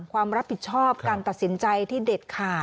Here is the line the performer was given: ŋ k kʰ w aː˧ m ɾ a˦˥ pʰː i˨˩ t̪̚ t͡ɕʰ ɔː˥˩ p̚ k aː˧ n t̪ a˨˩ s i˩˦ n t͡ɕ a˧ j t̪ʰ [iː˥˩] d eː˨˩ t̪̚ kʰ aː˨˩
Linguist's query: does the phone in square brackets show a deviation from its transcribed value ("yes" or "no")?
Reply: no